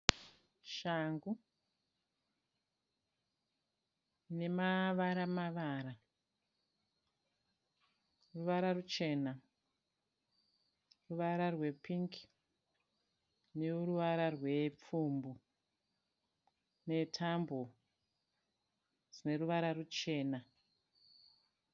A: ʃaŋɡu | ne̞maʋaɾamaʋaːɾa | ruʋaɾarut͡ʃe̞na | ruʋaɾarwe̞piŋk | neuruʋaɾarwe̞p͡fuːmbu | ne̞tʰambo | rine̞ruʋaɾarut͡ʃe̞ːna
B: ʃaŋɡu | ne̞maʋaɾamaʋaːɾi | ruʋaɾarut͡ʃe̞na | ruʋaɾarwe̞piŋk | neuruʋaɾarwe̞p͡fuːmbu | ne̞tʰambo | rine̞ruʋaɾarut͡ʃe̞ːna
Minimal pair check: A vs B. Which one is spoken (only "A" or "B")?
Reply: A